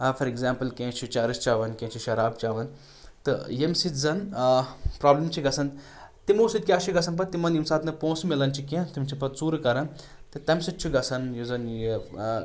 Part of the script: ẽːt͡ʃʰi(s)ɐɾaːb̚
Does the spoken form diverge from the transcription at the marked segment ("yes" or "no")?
yes